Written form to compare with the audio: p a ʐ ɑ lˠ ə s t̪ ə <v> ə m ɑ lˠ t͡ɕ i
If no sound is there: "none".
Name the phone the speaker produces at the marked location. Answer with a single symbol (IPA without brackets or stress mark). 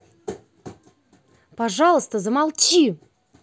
z